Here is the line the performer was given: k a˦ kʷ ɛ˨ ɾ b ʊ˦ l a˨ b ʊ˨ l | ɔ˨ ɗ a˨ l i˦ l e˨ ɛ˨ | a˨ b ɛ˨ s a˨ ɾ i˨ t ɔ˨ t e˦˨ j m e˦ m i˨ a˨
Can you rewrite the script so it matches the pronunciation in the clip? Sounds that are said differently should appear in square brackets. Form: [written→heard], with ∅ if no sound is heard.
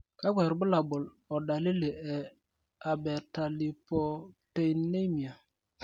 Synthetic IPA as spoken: k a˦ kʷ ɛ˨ ɾ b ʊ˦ l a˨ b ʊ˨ l | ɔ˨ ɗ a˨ l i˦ l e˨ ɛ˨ | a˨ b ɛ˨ [s→t] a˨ [ɾ→l] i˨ [t→p] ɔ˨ t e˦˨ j [m→n] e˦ m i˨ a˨